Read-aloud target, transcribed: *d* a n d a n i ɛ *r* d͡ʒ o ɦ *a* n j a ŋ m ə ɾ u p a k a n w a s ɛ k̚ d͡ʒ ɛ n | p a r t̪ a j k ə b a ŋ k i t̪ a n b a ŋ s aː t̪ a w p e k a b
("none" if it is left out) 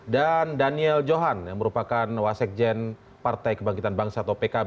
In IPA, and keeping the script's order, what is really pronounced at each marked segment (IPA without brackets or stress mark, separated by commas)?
d, l, a